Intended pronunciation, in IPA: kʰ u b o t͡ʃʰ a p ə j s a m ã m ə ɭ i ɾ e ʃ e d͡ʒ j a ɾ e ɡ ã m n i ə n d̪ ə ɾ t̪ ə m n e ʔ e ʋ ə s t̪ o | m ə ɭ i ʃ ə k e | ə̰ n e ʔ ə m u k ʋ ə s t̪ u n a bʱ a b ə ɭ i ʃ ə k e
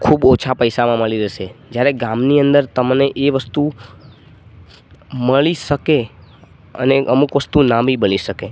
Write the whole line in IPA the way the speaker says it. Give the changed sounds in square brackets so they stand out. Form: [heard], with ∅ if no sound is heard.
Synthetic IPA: kʰ u b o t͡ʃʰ a p ə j s a m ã m ə ɭ i ɾ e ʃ e d͡ʒ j a ɾ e ɡ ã m n i ə n d̪ ə ɾ t̪ ə m n e ʔ e ʋ ə s t̪ [u] | m ə ɭ i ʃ ə k e | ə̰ n e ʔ ə m u k ʋ ə s t̪ u n a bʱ [i] b ə ɭ i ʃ ə k e